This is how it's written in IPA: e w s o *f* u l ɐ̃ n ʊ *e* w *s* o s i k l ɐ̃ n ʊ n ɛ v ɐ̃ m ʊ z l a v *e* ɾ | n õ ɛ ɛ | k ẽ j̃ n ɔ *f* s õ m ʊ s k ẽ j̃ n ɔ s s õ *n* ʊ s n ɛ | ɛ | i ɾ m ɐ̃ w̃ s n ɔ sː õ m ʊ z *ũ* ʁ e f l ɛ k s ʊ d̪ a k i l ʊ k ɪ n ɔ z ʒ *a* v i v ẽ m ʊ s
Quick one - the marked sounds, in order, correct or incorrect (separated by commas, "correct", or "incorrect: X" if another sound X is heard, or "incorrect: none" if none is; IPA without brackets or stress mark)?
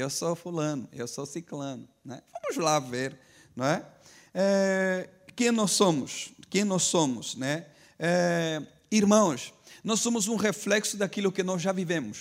correct, correct, correct, correct, incorrect: s, incorrect: m, correct, correct